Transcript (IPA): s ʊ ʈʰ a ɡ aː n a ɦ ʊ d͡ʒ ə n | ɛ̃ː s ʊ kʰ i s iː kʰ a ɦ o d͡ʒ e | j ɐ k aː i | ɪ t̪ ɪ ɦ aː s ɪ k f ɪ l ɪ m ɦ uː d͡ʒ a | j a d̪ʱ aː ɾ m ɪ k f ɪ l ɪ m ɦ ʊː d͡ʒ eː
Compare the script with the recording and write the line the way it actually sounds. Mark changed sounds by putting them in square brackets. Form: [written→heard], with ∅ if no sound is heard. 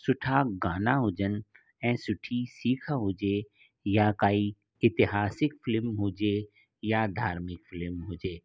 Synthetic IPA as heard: s ʊ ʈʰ a ɡ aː n a ɦ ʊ d͡ʒ ə n | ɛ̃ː s ʊ [kʰ→ʈʰ] i s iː kʰ a ɦ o d͡ʒ e | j [ɐ→a] k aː i | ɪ t̪ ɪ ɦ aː s ɪ k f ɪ l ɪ m ɦ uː d͡ʒ [a→e] | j a d̪ʱ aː ɾ m ɪ k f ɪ l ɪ m ɦ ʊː d͡ʒ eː

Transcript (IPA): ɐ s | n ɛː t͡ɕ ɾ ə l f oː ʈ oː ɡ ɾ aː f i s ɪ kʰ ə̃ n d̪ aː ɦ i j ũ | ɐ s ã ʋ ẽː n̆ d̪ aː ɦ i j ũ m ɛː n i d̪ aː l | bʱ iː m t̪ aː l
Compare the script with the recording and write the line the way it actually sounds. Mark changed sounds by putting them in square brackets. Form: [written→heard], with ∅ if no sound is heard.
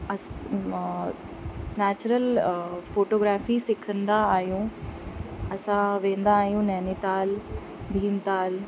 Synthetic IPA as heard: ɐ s | n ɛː t͡ɕ ɾ ə l f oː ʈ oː ɡ ɾ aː f i s ɪ kʰ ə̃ n d̪ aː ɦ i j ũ | ɐ s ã ʋ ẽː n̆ d̪ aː ɦ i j ũ [m→n] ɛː n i [d̪→t̪] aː l | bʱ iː m t̪ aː l

